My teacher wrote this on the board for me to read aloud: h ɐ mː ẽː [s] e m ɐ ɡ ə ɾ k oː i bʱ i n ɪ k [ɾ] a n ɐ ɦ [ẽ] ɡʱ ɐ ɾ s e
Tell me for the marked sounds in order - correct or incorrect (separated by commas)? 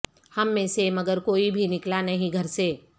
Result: correct, incorrect, incorrect